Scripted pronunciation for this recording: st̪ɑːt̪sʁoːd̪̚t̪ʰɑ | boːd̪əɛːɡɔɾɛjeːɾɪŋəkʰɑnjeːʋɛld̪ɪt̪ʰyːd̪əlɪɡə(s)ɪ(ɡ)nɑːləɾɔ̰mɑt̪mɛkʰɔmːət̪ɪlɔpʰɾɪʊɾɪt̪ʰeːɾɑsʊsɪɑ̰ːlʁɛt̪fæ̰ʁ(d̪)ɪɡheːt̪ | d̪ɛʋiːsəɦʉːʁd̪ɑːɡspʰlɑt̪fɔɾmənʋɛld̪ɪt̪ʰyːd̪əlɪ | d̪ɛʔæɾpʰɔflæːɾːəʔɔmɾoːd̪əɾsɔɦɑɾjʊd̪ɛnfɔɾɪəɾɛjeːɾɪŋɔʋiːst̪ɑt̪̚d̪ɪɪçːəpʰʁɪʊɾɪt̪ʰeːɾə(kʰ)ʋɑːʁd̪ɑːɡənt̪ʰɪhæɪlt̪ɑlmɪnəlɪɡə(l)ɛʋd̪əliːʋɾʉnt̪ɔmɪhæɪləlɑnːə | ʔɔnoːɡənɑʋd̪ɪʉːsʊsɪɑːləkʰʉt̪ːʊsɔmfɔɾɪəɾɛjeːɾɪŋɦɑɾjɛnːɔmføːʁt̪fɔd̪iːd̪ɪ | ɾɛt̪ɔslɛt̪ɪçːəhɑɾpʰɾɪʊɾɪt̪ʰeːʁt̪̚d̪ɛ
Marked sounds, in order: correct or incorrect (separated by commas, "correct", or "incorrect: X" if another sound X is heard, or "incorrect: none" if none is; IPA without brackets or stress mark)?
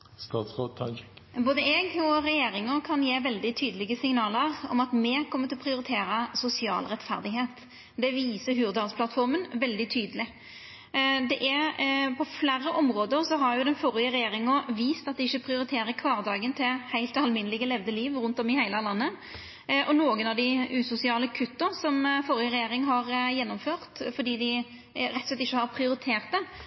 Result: correct, incorrect: ŋ, correct, correct, correct